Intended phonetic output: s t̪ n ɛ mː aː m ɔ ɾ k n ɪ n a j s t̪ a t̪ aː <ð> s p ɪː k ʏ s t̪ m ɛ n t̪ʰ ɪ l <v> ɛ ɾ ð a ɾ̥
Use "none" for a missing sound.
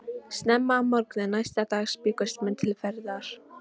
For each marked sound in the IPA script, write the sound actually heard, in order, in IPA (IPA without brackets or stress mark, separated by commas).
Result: ɣ, f